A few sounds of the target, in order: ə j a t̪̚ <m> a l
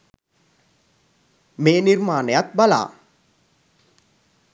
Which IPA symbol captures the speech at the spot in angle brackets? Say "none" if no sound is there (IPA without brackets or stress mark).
b